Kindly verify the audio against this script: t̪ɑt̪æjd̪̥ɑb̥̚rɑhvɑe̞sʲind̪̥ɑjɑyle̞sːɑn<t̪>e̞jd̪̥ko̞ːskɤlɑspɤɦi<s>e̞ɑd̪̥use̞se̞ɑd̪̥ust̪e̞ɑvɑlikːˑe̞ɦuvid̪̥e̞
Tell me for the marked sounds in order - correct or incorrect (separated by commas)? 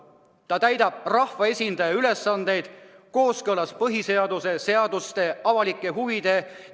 incorrect, correct